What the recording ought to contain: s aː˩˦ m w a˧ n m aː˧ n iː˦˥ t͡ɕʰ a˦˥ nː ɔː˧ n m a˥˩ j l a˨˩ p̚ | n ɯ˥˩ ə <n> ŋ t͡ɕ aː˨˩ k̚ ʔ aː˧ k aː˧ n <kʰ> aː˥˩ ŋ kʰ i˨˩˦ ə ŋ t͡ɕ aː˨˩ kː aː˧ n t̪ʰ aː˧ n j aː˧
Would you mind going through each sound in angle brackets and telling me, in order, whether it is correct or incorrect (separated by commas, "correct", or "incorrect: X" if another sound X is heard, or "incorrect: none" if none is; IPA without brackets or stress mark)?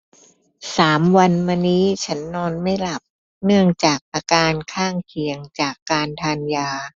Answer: incorrect: none, correct